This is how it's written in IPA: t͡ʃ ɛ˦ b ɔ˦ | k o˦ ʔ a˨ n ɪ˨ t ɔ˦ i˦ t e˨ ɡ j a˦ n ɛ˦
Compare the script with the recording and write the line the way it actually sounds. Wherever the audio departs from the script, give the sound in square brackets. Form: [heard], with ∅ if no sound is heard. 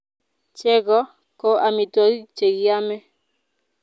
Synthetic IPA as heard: t͡ʃ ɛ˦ [ɡ] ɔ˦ | k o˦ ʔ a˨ [m] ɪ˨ t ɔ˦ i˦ [t͡ʃ] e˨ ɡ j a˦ [m] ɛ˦